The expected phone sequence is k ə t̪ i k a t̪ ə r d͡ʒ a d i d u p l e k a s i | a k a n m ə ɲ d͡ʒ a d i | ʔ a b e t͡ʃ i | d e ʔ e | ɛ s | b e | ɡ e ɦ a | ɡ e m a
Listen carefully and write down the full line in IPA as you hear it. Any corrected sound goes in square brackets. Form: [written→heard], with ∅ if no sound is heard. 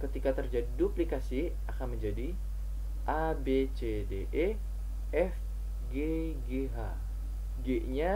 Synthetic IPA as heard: k ə t̪ i k a t̪ ə r d͡ʒ a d i d u p l [e→i] k a s i | a k a n m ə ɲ d͡ʒ a d i | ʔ a b e t͡ʃ [i→e] | d e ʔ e | ɛ [s→f] | [b→ɡ] e | ɡ e ɦ a | ɡ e [m→ɲ] a